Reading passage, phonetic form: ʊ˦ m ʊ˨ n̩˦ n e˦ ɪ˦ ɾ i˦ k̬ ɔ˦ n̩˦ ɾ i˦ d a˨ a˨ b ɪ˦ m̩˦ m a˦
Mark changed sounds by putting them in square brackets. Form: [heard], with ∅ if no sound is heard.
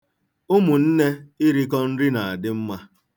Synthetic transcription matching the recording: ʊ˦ m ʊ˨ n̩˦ n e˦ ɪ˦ ɾ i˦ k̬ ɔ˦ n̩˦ ɾ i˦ [n] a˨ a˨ [d] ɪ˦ m̩˦ m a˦

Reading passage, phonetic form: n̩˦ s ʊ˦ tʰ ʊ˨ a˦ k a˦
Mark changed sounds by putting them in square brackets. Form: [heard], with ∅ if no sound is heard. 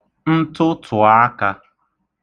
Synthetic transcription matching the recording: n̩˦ [t] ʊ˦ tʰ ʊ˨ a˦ k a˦

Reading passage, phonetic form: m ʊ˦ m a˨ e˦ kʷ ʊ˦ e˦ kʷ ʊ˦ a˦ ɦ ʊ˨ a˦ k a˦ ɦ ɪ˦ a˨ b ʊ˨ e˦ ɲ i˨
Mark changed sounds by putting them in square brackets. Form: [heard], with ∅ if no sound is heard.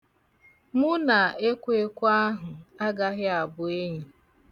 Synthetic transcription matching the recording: m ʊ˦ [n] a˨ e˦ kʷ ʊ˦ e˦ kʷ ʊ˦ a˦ ɦ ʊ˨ a˦ [ɡ] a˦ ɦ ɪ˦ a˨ b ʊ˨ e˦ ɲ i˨

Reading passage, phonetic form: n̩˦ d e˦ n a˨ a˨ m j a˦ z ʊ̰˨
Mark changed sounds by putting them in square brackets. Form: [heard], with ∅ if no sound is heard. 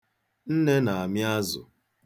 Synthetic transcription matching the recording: n̩˦ [n] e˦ n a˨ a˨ m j a˦ z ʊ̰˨

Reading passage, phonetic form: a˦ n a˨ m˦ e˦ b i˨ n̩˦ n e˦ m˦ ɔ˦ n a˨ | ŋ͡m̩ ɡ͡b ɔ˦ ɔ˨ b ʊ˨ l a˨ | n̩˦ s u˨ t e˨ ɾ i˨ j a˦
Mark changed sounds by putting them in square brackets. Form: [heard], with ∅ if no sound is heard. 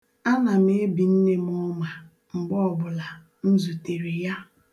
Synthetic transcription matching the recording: a˦ n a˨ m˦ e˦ b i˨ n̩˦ n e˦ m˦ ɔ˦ [m] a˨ | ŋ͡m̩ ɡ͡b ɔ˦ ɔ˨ b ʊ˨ l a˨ | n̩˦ [z] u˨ t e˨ ɾ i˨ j a˦

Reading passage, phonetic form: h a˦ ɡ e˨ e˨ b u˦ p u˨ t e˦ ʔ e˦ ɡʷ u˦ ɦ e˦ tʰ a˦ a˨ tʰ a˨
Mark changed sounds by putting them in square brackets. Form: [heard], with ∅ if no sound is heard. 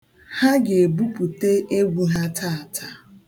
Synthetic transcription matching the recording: h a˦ ɡ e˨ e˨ b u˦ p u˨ t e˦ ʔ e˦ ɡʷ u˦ ɦ [a˦] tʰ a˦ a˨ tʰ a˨

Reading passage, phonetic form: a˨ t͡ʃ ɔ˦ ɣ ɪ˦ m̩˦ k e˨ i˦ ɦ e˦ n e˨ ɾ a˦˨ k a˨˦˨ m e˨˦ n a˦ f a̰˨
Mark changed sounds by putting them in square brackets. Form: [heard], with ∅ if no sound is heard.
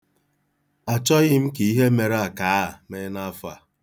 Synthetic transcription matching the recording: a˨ t͡ʃ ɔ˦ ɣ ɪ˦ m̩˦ k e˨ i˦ ɦ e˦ [m] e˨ ɾ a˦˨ k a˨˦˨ m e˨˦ n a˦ f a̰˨

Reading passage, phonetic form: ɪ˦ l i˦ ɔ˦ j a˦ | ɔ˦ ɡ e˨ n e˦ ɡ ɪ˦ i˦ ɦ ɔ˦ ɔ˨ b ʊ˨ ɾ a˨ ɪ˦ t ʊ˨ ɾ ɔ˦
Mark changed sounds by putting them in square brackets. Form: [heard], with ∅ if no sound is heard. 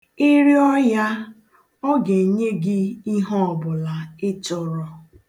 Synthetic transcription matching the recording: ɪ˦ [ɾ] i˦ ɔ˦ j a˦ | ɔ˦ ɡ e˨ [ɲ] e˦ ɡ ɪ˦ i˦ ɦ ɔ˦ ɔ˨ b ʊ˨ [l] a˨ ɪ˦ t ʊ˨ ɾ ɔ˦

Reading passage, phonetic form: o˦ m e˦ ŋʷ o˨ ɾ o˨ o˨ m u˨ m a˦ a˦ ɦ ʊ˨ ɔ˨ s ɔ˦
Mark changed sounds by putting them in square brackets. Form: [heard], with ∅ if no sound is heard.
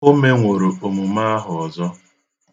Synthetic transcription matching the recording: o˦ m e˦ ŋʷ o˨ ɾ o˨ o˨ m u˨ m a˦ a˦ ɦ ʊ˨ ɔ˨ [z] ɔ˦

